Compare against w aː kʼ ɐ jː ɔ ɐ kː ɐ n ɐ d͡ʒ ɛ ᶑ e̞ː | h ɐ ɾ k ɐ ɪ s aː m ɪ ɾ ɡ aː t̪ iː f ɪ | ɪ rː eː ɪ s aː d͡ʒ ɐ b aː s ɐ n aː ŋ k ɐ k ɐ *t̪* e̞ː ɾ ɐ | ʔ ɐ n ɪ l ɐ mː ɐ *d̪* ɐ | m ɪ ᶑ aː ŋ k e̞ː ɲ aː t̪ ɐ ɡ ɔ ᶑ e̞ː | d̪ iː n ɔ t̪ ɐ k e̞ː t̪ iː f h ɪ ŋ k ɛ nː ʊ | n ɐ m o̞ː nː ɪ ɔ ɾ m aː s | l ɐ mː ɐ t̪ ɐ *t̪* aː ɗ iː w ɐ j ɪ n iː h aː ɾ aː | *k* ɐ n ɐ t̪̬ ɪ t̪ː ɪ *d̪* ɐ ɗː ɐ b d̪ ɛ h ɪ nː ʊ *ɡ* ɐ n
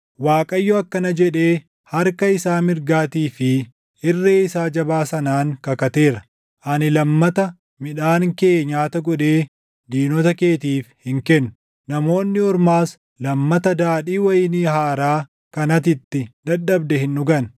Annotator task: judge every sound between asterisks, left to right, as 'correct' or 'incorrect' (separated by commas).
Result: correct, incorrect, incorrect, correct, correct, correct